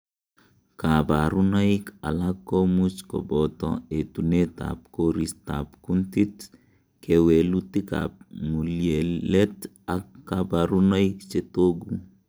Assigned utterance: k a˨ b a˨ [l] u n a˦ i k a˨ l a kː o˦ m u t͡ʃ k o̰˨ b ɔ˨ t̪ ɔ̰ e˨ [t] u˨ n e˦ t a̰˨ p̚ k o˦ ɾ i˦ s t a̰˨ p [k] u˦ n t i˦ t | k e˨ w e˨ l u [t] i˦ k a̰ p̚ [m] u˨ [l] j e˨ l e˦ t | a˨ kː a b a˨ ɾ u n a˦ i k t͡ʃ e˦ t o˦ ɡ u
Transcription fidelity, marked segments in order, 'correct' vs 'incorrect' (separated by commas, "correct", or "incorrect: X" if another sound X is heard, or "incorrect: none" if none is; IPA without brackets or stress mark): incorrect: ɾ, correct, correct, correct, correct, correct